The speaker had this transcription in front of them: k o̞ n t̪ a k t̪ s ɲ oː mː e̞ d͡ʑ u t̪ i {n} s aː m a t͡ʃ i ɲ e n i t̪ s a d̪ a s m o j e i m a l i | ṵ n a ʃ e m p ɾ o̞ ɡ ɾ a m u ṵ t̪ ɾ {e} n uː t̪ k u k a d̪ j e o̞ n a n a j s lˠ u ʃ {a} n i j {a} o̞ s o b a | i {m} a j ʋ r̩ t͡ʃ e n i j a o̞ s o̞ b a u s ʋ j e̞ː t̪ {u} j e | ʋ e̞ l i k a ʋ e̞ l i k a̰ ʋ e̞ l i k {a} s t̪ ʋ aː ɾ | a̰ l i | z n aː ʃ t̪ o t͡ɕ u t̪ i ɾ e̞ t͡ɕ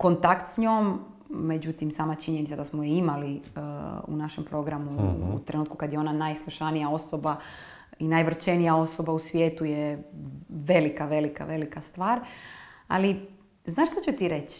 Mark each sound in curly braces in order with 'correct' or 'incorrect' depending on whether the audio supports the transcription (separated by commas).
incorrect, correct, correct, correct, incorrect, correct, correct